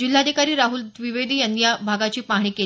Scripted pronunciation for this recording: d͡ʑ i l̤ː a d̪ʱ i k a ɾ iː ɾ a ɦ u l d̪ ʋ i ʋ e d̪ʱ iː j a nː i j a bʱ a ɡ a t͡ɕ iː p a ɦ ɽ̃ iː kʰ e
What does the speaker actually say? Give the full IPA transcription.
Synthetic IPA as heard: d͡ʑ i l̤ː a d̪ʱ i k a ɾ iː ɾ a ɦ u l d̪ ʋ i ʋ e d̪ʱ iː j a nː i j a bʱ a ɡ a t͡ɕ iː p a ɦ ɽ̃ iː k e